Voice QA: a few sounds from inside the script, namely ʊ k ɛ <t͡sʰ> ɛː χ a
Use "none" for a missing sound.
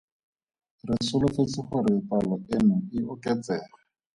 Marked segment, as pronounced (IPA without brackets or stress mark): t͡s